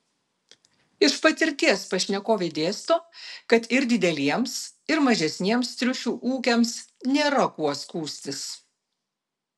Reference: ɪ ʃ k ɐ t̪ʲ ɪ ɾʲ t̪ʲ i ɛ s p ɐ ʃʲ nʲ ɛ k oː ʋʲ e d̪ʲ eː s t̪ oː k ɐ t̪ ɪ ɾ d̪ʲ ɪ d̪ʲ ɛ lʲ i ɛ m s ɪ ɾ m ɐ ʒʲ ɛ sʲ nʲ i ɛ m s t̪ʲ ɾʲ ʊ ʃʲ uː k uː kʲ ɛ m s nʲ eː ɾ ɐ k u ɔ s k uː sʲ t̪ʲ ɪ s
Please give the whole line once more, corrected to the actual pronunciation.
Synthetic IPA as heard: ɪ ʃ p ɐ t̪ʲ ɪ ɾʲ t̪ʲ i ɛ s p ɐ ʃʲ nʲ ɛ k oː ʋʲ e d̪ʲ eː s t̪ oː k ɐ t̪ ɪ ɾ d̪ʲ ɪ d̪ʲ ɛ lʲ i ɛ m s ɪ ɾ m ɐ ʒʲ ɛ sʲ nʲ i ɛ m s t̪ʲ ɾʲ ʊ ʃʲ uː ʔ uː kʲ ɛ m s nʲ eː ɾ ɐ k u ɔ s k uː sʲ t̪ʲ ɪ s